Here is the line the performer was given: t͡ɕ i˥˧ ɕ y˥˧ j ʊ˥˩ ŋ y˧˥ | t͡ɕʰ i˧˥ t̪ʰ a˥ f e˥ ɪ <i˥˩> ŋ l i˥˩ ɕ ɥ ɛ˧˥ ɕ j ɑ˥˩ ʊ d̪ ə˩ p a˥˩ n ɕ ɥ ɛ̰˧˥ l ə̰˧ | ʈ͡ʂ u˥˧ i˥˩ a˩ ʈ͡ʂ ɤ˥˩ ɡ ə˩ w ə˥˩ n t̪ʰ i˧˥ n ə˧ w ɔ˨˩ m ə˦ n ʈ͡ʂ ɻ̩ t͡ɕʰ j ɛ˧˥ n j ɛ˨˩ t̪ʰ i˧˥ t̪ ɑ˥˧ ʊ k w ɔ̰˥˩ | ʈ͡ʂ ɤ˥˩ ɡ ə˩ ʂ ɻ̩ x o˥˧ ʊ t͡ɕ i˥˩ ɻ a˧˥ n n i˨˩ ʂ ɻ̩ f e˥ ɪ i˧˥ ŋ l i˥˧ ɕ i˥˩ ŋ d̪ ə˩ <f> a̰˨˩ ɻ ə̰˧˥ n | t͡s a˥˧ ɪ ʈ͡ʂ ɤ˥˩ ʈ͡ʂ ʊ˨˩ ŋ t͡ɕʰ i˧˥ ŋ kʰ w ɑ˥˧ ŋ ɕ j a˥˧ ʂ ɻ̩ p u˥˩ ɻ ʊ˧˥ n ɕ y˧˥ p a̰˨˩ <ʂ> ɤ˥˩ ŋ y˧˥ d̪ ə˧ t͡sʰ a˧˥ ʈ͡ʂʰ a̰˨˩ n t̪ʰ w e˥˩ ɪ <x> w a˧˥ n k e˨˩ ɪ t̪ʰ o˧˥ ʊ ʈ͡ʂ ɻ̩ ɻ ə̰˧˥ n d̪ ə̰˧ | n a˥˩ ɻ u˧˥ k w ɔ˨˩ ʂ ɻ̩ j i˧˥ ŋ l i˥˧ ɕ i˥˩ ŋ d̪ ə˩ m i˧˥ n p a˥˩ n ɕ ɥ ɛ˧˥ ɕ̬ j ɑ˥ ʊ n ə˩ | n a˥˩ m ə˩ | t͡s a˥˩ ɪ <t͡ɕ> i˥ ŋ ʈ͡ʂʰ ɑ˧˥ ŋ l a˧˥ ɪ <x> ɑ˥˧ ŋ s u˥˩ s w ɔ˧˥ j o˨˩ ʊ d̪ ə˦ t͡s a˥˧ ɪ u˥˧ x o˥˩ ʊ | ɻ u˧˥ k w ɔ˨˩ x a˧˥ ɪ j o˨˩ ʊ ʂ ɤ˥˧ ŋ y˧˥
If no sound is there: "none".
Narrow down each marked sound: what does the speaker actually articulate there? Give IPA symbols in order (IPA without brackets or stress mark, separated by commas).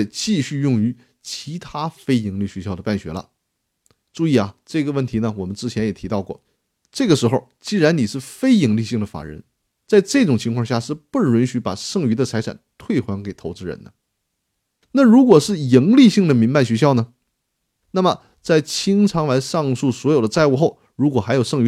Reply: i˧˥, f, ʂ, x, t͡ɕʰ, ʂ